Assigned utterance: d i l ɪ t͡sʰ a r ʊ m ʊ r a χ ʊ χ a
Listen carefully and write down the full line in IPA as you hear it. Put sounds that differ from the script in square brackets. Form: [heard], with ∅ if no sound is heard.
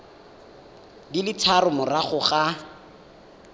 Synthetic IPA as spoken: d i l ɪ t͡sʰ a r ʊ m ʊ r a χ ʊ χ a